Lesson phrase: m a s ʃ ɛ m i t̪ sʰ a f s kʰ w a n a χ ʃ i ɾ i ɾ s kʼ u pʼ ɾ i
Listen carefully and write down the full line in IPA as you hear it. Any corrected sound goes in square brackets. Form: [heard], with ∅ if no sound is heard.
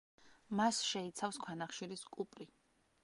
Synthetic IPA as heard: m a s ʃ ɛ [∅] i t̪ sʰ a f s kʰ w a n a χ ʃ i ɾ i [∅] s kʼ u pʼ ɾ i